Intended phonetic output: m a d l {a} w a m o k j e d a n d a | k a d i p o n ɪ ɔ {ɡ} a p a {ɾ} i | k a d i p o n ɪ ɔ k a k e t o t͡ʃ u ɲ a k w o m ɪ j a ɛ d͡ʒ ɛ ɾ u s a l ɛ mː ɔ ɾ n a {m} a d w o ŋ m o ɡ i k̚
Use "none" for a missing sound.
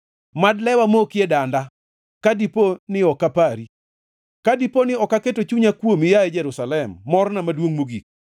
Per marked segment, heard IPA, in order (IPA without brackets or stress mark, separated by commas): ɛ, k, ɾ, m